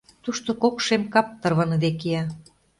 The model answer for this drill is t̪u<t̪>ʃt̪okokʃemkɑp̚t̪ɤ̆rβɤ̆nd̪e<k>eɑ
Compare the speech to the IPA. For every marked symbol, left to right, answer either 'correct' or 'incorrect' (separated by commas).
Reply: incorrect, correct